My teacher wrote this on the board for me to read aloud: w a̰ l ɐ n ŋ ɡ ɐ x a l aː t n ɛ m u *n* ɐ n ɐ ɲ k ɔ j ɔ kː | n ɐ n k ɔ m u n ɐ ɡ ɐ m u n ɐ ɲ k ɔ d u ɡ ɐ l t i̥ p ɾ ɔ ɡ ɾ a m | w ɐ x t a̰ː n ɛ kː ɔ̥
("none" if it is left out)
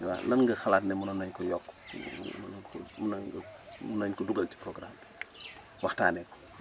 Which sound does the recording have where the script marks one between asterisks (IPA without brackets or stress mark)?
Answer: n